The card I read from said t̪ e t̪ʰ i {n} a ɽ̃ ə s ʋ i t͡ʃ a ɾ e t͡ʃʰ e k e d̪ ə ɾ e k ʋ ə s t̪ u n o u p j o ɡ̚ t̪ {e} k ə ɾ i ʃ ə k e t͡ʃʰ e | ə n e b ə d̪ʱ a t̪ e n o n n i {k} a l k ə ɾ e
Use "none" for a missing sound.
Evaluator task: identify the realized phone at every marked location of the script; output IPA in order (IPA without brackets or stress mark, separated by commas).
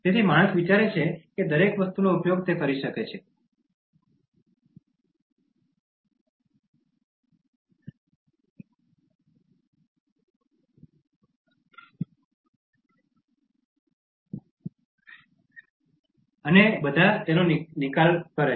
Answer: m, e, k